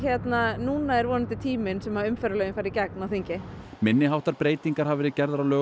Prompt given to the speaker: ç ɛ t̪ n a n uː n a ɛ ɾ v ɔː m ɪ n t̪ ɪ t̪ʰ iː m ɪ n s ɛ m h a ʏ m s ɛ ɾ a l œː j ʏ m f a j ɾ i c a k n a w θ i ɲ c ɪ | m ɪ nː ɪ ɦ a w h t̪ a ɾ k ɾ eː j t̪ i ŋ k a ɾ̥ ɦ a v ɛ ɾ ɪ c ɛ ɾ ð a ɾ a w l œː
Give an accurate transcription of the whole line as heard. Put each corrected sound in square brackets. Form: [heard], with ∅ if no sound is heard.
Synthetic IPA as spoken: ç ɛ t̪ n a n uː n a ɛ ɾ v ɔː [n] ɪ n t̪ ɪ t̪ʰ iː m ɪ n s ɛ m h a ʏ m [f] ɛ ɾ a l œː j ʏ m f a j ɾ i c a k n a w θ i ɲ c ɪ | m ɪ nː ɪ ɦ a w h t̪ a ɾ [p] ɾ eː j t̪ i ŋ k a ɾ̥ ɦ a v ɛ ɾ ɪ c ɛ ɾ ð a ɾ a w l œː